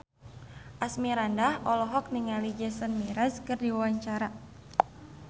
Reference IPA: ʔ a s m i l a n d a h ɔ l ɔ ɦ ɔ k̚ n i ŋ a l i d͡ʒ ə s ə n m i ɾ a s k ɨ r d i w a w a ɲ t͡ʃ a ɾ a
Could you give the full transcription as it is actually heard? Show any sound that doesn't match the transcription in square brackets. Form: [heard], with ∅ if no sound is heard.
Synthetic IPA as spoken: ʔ a s m i [ɾ] a n d a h ɔ l ɔ ɦ ɔ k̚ n i ŋ a l i d͡ʒ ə s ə n m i ɾ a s k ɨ r d i w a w a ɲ t͡ʃ a ɾ a